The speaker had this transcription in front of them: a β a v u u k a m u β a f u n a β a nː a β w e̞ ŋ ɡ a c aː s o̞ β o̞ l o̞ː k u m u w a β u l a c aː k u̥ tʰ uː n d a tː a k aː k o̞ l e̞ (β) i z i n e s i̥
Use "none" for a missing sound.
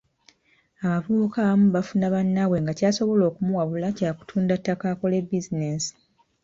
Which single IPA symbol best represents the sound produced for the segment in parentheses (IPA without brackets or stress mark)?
b